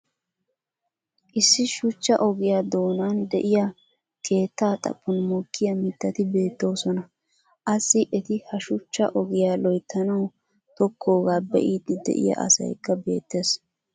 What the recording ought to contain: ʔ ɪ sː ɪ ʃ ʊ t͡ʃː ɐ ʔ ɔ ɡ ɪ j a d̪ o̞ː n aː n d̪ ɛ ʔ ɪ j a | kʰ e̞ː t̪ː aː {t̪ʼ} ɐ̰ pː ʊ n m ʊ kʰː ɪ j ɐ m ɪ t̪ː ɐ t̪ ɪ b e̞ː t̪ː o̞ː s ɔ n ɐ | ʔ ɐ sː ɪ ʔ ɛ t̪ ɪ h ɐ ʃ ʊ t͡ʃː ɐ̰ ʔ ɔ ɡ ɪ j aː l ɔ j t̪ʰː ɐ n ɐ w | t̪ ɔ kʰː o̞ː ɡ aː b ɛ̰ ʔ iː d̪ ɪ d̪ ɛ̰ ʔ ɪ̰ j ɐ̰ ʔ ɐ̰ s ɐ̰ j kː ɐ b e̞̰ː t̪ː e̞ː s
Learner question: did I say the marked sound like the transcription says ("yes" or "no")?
yes